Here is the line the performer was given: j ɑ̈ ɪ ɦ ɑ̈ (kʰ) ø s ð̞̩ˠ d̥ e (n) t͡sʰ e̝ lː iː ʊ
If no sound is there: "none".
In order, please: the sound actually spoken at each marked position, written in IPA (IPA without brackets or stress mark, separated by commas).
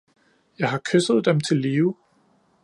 kʰ, m